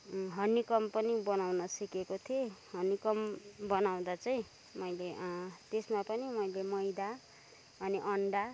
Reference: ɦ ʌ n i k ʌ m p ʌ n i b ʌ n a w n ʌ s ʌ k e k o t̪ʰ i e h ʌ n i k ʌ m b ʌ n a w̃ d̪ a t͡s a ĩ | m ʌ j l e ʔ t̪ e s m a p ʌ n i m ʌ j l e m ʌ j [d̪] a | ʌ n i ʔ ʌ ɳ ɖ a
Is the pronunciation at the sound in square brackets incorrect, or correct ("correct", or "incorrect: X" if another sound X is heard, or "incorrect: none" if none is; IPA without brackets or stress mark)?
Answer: correct